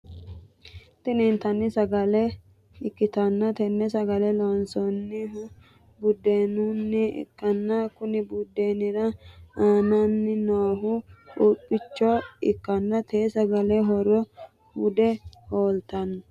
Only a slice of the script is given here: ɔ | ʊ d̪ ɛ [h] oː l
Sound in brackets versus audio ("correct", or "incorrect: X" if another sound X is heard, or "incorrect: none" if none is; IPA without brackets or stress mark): correct